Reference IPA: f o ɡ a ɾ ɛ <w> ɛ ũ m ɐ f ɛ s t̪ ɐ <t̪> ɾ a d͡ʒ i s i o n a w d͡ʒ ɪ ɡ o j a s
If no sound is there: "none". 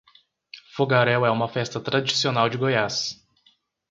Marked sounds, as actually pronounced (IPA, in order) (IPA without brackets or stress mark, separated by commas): w, t̪